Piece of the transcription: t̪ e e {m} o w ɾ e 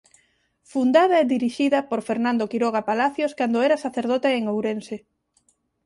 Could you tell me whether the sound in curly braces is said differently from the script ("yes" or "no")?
yes